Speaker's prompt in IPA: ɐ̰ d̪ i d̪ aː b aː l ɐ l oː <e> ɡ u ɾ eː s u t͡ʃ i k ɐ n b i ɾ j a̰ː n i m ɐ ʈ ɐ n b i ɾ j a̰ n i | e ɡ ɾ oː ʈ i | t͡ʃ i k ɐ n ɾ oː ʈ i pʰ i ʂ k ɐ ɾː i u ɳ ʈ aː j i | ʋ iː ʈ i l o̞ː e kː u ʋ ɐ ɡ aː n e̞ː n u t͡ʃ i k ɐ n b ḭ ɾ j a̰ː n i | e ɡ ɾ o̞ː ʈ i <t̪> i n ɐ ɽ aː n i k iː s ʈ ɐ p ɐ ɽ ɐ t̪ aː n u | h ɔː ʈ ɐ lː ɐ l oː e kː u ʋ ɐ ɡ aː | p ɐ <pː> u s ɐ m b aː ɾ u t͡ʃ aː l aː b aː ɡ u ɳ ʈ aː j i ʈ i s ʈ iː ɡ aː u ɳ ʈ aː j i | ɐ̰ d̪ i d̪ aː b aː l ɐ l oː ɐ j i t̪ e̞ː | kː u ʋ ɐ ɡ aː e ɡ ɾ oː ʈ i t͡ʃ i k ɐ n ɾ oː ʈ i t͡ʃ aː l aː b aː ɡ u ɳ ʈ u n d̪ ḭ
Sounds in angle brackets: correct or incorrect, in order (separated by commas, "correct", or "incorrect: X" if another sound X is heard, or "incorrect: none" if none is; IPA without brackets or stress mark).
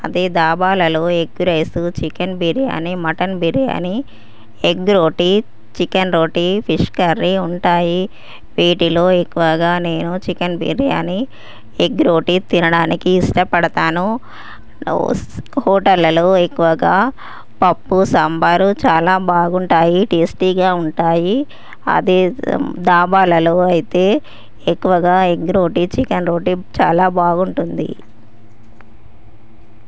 correct, correct, correct